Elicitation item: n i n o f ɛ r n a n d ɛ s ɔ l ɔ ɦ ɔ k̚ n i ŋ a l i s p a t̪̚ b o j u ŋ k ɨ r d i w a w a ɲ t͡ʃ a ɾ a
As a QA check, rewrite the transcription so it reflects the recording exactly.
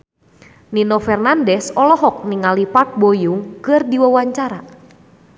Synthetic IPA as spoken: n i n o f ɛ r n a n d ɛ s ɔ l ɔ ɦ ɔ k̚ n i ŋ a l i p a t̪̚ b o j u ŋ k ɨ r d i w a w a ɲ t͡ʃ a ɾ a